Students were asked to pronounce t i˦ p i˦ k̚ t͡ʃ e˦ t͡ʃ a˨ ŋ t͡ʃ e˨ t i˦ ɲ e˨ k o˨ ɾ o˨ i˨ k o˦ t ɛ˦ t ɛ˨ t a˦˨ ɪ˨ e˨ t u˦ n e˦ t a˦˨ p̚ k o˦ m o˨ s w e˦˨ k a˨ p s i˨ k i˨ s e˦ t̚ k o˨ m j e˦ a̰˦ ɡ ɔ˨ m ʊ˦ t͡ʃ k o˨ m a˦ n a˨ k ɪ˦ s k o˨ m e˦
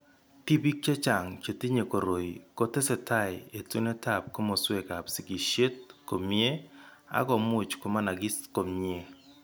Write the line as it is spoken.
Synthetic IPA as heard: t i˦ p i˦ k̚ t͡ʃ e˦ t͡ʃ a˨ ŋ t͡ʃ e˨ t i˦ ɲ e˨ k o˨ ɾ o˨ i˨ k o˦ t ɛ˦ s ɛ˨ t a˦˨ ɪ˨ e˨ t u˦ n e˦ t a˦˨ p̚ k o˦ m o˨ s w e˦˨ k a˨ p s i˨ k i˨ ʃ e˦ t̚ k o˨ m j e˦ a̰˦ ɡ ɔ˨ m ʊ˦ t͡ʃ k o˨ m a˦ n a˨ ɡ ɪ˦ s k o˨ m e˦

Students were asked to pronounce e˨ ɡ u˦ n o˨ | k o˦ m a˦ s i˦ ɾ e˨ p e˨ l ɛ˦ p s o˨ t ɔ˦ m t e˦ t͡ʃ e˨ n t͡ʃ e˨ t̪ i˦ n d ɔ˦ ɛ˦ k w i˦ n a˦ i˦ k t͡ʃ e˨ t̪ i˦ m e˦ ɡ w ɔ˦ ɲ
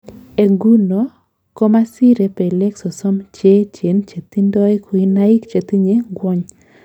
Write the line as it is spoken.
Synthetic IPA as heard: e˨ ɡ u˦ n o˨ | k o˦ m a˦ s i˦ ɾ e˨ p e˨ l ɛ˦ k s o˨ s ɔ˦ m t͡ʃ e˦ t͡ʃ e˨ n t͡ʃ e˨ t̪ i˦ n d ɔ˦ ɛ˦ k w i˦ n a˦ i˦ k t͡ʃ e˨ t̪ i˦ ɲ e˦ ɡ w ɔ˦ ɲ

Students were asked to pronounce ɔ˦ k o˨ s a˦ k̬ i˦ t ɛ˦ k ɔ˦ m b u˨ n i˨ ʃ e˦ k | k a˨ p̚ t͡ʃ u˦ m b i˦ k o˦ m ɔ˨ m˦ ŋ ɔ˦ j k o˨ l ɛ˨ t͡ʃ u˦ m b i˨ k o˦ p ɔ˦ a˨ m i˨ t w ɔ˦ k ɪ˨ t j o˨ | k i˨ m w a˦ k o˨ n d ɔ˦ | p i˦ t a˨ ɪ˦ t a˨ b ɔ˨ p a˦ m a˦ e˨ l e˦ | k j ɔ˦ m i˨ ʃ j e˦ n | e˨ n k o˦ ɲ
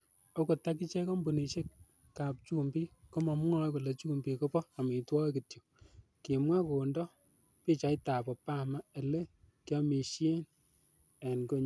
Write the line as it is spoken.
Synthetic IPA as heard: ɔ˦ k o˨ t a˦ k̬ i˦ t͡ʃ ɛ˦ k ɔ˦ m b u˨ n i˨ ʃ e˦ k | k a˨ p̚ t͡ʃ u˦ m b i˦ k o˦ m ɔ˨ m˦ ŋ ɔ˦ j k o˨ l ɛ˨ t͡ʃ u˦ m b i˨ k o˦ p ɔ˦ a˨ m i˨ t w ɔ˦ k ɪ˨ t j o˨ | k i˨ m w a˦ k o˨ n d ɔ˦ | p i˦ t͡ʃ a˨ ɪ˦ t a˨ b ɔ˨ p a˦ m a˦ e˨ l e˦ | k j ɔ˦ m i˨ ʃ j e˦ n | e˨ n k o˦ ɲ

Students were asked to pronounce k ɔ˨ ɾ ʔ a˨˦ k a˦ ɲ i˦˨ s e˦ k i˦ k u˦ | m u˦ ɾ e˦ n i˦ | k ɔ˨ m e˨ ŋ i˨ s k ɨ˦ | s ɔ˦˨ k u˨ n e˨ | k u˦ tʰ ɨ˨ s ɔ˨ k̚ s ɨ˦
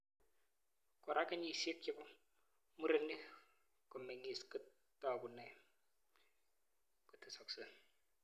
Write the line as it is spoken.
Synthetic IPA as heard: k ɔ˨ ɾ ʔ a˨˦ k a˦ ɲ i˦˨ s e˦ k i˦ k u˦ | m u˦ ɾ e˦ n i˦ | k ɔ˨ m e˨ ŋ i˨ s k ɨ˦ | t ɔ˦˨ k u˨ n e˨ | k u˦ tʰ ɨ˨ s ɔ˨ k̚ s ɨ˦

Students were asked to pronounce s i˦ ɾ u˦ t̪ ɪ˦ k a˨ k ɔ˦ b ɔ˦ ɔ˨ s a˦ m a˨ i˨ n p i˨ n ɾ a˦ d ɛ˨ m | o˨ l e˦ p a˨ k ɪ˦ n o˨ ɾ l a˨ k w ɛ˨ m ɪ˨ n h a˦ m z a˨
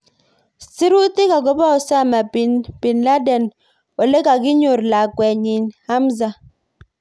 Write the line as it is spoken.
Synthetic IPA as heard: s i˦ ɾ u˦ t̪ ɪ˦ k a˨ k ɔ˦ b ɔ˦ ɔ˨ s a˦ m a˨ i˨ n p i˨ n l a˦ d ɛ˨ n | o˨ l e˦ k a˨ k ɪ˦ ɲ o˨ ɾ l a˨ k w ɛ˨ ɲ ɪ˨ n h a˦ m z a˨

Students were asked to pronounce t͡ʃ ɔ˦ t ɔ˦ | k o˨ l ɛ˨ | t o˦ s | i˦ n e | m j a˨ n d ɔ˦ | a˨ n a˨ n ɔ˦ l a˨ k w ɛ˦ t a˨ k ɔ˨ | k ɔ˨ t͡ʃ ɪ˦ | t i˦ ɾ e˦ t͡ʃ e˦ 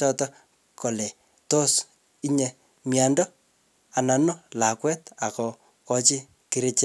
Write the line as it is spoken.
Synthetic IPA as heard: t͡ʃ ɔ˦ t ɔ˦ | k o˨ l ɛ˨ | t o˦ s | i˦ ɲ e | m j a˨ n d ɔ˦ | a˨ n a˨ n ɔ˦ l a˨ k w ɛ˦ t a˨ k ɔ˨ | k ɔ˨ t͡ʃ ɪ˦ | k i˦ ɾ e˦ t͡ʃ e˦

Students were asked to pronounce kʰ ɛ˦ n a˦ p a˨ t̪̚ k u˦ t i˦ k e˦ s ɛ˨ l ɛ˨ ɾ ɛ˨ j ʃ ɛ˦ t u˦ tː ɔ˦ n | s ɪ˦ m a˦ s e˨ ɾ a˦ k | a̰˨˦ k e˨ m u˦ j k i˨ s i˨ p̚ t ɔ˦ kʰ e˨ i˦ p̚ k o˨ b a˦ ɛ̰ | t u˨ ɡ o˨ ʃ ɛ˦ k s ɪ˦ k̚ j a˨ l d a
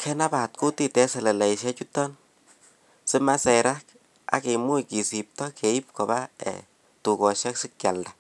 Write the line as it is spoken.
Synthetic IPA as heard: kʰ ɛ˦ n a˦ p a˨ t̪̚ k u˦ t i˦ t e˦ s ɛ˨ l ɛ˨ l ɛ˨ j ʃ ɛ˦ t͡ʃ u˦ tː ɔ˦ n | s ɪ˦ m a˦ s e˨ ɾ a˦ k | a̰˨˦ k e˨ m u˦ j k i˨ s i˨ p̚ t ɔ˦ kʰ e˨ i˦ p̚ k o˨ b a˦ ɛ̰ | t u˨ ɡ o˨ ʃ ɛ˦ k s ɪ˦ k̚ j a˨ l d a

